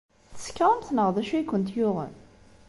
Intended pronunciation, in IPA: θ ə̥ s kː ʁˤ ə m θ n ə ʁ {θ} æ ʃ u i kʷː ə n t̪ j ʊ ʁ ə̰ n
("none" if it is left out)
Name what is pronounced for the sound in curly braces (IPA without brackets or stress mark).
ð